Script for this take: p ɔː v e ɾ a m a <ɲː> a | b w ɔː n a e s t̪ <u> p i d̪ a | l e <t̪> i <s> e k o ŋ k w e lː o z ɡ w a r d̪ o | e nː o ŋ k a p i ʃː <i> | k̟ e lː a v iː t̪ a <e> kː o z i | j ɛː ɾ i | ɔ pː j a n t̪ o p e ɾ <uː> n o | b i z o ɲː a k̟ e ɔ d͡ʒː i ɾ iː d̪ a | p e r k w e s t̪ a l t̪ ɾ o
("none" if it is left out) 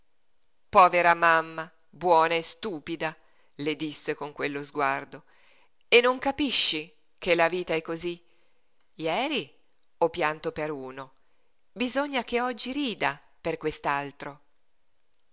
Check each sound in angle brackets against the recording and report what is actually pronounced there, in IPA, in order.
mː, uː, d̪, sː, i, ɛ, uː

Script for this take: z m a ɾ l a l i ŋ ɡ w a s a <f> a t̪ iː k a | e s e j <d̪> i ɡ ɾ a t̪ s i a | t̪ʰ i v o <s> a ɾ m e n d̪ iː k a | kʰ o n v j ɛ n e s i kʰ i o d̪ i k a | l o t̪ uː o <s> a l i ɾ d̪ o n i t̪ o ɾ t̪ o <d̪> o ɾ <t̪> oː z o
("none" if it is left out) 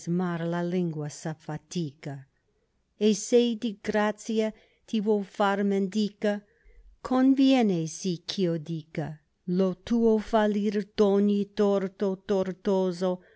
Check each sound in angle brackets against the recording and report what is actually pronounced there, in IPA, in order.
f, d̪, f, f, t̪, t̪

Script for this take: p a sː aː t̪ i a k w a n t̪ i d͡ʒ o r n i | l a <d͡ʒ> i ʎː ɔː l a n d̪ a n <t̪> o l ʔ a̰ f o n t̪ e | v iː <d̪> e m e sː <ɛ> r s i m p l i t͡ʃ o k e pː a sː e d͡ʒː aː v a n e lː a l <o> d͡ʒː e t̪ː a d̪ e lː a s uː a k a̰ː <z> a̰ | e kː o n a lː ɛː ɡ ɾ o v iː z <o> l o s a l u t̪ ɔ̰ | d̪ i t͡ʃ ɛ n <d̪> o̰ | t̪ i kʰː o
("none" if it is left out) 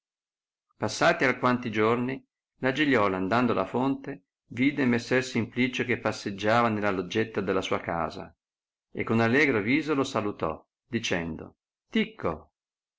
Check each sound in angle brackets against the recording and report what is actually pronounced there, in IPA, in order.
d͡ʒ, d̪, d̪, ɛ, o, z, o, d̪

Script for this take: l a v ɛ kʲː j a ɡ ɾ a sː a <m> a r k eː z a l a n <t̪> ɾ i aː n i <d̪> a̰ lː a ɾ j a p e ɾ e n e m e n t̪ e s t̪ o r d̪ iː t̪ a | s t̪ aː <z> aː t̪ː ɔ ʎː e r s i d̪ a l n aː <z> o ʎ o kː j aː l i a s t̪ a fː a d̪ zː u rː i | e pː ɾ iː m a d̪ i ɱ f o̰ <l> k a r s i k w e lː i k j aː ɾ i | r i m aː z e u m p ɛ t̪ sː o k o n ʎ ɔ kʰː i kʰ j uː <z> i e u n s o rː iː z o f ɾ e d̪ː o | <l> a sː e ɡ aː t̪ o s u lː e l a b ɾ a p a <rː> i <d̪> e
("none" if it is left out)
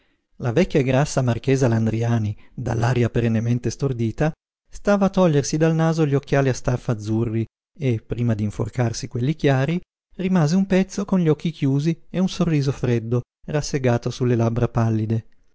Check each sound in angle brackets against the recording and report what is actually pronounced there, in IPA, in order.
m, d̪, d̪, v, z, r, z, r, lː, d̪

